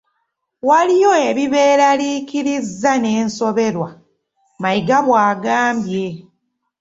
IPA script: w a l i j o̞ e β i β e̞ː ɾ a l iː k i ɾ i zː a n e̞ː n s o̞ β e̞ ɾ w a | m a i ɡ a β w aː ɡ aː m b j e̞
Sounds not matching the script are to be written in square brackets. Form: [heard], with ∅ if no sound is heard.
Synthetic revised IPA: w a l i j o̞ e β i β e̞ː ɾ a l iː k i ɾ i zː a n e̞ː n s o̞ β e̞ ɾ w a | m a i ɡ a β w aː ɡ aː m b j e̞